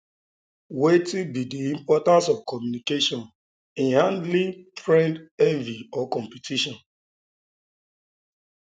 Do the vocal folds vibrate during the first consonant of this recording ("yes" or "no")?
yes